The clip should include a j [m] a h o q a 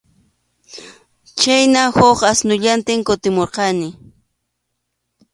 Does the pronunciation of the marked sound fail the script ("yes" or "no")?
yes